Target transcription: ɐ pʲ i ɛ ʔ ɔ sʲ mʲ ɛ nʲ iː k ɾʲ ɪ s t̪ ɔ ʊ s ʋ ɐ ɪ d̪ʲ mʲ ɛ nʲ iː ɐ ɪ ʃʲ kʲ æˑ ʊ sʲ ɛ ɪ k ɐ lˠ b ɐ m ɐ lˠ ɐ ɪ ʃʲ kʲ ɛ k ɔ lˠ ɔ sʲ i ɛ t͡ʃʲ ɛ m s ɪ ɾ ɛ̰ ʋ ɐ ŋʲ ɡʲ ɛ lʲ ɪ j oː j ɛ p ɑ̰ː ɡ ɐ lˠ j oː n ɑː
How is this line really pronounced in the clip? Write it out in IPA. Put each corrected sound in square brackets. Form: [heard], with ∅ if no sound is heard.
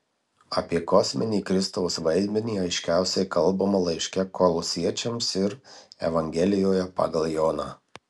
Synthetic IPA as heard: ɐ pʲ i ɛ [k] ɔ sʲ mʲ ɛ nʲ iː k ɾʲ ɪ s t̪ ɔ ʊ s ʋ ɐ ɪ d̪ʲ mʲ ɛ nʲ iː ɐ ɪ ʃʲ kʲ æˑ ʊ sʲ ɛ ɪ k ɐ lˠ b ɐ m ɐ lˠ ɐ ɪ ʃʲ kʲ ɛ k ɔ lˠ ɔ sʲ i ɛ t͡ʃʲ ɛ m s ɪ ɾ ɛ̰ ʋ ɐ ŋʲ ɡʲ ɛ lʲ ɪ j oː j ɛ p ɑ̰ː ɡ ɐ lˠ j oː n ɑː